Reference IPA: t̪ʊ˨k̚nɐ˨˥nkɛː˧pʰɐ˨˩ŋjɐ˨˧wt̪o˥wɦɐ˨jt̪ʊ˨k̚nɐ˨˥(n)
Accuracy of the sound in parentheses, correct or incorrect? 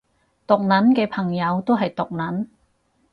correct